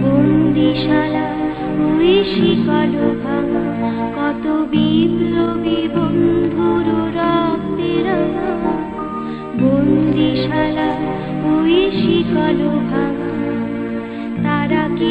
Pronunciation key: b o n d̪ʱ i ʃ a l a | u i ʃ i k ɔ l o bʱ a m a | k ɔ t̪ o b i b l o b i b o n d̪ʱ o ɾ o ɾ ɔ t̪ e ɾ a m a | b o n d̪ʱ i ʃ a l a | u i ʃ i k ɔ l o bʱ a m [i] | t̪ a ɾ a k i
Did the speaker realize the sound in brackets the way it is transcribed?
no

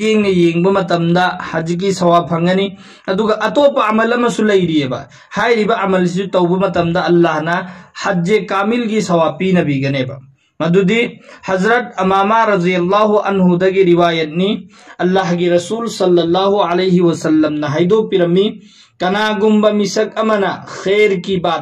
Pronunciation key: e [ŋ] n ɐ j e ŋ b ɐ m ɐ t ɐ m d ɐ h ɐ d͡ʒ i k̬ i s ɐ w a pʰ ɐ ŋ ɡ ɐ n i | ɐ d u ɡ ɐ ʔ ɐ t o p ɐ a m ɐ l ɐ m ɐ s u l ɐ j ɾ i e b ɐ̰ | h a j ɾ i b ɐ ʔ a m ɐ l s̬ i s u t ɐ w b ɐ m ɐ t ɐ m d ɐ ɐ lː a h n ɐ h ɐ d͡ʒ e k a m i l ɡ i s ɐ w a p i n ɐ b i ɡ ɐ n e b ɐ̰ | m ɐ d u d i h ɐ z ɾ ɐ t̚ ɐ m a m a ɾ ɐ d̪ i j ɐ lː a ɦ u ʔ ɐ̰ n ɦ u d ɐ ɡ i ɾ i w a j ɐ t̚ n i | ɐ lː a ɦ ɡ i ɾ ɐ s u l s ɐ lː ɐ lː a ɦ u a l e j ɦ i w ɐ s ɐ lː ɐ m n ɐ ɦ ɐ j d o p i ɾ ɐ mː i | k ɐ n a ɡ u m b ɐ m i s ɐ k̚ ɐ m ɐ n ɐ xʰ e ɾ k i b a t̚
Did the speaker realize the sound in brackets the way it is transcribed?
yes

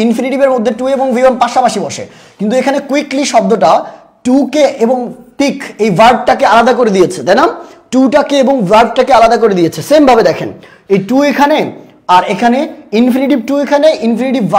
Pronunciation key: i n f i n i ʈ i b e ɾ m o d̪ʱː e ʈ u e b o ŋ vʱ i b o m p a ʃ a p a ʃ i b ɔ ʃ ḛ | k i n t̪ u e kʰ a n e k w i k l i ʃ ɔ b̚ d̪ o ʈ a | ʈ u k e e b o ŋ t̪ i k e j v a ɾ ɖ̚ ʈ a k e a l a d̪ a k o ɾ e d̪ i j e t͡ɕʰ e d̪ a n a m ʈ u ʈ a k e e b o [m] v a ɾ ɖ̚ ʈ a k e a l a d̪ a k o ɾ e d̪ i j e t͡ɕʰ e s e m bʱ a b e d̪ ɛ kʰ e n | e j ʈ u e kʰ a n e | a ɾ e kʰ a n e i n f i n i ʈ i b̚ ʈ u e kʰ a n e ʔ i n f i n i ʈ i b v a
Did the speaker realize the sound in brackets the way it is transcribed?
no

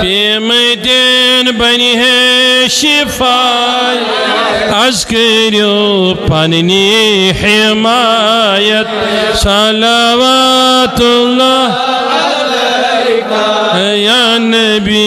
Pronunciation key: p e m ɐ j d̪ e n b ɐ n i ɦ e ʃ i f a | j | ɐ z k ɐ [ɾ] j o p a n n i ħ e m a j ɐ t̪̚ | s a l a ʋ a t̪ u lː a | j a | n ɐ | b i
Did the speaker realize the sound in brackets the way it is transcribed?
yes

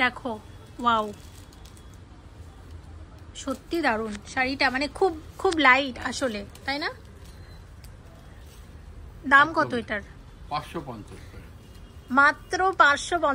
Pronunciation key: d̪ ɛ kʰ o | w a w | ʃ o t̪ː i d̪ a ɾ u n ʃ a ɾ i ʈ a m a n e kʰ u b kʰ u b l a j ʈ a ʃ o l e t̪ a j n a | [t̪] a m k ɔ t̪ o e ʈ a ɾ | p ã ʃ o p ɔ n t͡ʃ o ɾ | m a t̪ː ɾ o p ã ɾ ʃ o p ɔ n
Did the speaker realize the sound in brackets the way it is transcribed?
no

